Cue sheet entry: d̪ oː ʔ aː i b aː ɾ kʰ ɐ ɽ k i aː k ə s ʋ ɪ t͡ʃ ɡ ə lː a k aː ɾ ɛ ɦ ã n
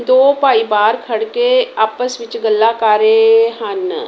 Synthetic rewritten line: d̪ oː p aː i b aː ɾ kʰ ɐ ɽ k e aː p ə s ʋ ɪ t͡ʃ ɡ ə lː a k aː ɾ e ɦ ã n